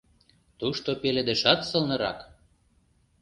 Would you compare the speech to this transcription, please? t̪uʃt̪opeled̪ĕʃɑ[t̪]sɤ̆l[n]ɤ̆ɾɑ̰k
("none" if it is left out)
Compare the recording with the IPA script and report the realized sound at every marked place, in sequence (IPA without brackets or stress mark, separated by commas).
t̪, n